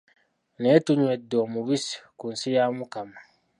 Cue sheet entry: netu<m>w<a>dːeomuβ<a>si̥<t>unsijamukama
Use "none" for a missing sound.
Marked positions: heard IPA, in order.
ɲ, e, i, k

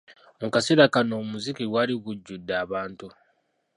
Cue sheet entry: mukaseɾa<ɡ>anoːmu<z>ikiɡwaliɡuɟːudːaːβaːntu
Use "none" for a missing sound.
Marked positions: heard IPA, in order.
k, z

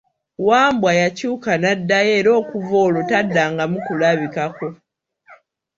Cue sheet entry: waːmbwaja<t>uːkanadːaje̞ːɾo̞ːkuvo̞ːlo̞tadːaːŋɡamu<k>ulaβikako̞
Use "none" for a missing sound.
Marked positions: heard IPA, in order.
c, k

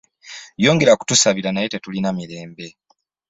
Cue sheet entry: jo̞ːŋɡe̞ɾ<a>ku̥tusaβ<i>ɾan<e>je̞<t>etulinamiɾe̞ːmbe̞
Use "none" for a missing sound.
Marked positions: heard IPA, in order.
a, i, a, t

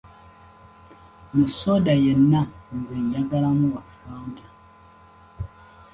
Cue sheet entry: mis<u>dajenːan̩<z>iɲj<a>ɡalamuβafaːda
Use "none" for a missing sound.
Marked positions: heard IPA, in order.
o, z, a

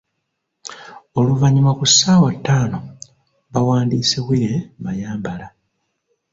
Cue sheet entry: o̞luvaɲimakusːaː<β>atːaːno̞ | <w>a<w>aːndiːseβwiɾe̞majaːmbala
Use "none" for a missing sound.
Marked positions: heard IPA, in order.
w, β, w

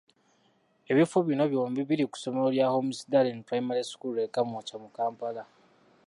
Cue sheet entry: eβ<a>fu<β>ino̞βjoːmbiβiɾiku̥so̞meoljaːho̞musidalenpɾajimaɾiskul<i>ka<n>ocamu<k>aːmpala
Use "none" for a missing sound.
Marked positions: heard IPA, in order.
i, β, e, m, k

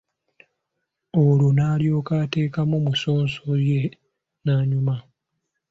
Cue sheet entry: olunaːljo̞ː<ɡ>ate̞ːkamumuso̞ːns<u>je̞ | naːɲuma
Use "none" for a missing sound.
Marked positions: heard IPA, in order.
k, o

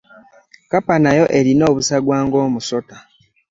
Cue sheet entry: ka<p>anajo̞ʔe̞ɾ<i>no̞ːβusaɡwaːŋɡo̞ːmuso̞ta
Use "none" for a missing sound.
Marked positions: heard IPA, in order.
p, i

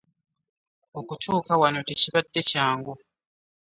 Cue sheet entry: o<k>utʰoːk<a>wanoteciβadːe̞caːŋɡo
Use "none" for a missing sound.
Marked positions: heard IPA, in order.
k, a

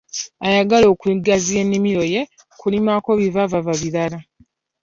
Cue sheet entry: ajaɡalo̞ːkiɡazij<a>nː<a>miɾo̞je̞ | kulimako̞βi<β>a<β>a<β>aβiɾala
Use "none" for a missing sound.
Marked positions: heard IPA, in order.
e, i, v, v, v

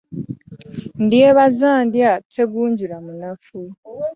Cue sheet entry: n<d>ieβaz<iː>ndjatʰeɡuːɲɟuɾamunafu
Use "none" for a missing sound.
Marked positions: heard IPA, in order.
d, aː

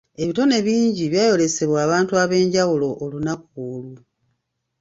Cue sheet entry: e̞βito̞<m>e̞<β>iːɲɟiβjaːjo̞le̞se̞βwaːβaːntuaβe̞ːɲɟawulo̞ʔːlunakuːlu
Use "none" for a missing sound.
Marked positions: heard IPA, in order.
n, β

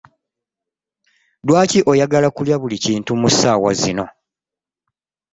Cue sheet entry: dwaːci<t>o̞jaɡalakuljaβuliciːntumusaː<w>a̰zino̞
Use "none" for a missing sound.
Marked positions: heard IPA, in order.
ʔ, w

